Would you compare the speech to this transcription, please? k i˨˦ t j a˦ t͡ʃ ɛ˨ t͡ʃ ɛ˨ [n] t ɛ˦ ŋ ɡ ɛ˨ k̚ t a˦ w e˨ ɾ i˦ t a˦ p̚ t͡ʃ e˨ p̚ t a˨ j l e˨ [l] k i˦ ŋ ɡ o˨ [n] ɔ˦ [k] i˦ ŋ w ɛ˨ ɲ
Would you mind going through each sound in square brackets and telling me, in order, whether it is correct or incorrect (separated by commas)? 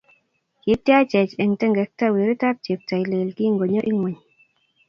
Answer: incorrect, correct, incorrect, incorrect